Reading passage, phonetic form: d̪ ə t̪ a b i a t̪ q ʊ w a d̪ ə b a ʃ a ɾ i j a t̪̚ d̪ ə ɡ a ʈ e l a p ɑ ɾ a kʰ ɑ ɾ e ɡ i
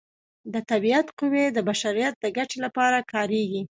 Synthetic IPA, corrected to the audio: d̪ ə t̪ a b i a t̪ q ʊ w e d̪ ə b a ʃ a ɾ i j a t̪̚ d̪ ə ɡ a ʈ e l a p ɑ ɾ a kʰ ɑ ɾ e ɡ i